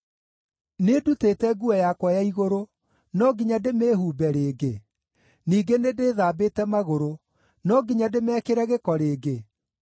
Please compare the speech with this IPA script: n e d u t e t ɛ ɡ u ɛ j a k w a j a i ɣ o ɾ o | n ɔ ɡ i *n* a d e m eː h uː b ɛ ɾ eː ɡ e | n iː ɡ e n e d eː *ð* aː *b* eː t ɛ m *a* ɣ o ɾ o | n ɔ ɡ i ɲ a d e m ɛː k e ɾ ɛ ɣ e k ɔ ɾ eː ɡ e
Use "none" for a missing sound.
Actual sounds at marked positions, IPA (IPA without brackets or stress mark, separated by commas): ɲ, ð, b, a